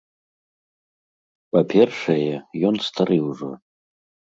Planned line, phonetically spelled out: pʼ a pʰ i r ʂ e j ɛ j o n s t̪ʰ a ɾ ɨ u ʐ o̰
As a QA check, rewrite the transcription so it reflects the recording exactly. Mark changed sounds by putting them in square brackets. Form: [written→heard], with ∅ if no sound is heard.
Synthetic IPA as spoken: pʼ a pʰ [i→e] r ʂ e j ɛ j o n s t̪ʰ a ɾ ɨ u ʐ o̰